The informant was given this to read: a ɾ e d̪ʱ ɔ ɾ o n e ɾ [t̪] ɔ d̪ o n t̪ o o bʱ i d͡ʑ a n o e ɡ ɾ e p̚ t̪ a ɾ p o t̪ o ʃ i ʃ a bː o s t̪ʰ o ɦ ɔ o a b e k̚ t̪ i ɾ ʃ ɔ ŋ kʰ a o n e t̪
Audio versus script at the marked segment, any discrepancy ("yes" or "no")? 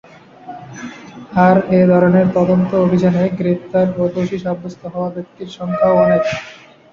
no